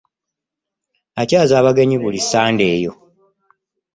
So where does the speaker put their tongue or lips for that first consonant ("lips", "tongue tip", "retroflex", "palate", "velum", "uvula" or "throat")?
palate